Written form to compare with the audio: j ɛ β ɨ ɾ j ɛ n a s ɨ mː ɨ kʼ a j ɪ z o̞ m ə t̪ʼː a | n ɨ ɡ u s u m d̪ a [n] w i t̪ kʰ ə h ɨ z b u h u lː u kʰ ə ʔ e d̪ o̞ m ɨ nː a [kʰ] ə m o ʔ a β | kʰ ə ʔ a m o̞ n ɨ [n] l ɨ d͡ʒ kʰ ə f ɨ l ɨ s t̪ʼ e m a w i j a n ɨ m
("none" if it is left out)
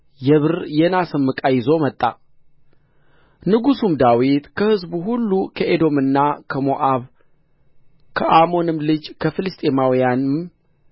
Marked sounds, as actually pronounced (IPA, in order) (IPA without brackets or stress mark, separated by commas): none, kʰ, m